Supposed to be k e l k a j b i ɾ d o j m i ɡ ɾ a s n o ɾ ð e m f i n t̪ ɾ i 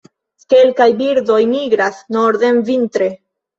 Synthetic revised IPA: k e l k a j b i ɾ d o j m i ɡ ɾ a s n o ɾ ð e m v i n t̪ ɾ e

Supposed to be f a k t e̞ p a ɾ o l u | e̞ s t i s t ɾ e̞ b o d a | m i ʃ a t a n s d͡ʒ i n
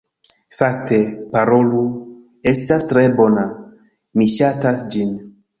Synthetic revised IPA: f a k t e̞ p a ɾ o l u | e̞ s t a s t ɾ e̞ b o n a | m i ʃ a t a s d͡ʒ i n

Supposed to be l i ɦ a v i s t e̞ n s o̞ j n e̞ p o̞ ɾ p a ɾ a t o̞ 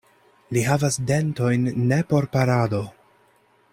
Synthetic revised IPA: l i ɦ a v a s d e̞ n t o̞ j nː e̞ p o̞ ɾ p a ɾ a d o̞

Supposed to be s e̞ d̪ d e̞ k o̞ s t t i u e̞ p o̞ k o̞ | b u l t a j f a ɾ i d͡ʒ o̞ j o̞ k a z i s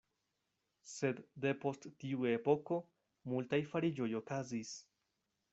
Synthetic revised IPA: s e̞ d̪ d e̞ p o̞ s t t i u e̞ p o̞ k o̞ | m u l t a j f a ɾ i d͡ʒ o̞ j o̞ k a z i s

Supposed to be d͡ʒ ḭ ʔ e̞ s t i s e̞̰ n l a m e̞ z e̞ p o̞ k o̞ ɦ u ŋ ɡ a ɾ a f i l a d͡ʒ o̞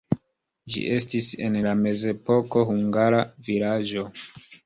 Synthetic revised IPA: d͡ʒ ḭ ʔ e̞ s t i s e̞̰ n l a m e̞ z e̞ p o̞ k o̞ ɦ u ŋ ɡ a ɾ a v i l a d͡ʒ o̞

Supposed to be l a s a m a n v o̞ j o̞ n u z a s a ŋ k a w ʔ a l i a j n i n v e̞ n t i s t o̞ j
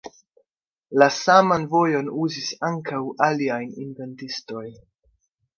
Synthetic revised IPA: l a s a m a n v o̞ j o̞ n u z i s a ŋ k a w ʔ a l i a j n i n v e̞ n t i s t o̞ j

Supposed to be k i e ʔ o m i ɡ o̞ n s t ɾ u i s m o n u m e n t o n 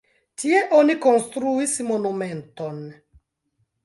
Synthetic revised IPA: t i e ʔ o n i k o̞ n s t ɾ u i s m o n u m e n t o n

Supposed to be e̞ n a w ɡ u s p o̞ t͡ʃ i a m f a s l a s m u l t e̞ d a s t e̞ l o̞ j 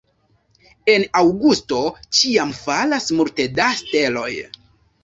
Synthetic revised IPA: e̞ n a w ɡ u s t o̞ t͡ʃ i a m f a l a s m u l t e̞ d a s t e̞ l o̞ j

